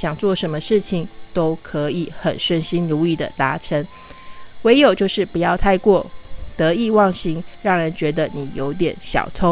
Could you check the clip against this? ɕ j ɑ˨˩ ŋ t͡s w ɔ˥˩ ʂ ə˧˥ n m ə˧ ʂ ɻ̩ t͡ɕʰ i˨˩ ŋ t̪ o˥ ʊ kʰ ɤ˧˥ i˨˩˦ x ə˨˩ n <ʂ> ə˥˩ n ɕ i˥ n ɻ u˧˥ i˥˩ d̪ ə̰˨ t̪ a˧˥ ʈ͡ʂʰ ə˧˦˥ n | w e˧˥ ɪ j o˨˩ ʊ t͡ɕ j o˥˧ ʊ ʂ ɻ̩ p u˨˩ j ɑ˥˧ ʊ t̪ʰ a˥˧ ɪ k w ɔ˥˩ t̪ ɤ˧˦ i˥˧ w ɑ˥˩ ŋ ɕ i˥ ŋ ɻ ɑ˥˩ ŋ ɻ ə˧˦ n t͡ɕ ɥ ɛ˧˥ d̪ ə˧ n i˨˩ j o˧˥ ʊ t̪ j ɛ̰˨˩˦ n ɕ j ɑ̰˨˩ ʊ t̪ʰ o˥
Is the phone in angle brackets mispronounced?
no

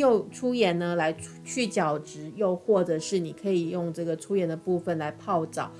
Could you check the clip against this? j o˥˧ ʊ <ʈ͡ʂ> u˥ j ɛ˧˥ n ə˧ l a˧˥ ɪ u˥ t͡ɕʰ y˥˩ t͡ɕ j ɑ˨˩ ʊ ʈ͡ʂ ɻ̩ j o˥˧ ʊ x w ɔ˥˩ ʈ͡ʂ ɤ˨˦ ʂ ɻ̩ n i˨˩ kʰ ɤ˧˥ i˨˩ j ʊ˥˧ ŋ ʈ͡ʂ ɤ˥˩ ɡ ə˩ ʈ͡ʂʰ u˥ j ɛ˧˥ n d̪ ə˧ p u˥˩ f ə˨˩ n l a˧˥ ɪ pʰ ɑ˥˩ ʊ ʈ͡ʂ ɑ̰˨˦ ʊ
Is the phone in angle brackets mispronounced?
yes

